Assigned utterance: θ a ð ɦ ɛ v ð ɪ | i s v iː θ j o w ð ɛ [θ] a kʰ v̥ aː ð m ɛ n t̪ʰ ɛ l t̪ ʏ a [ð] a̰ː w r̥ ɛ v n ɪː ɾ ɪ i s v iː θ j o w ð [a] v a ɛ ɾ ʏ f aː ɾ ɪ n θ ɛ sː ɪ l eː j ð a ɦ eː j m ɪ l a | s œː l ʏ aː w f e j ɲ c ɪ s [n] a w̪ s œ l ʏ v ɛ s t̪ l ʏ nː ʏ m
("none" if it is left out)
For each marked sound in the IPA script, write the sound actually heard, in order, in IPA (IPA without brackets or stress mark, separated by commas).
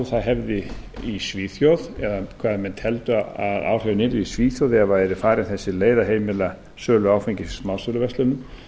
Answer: ð, ð, ɛ, m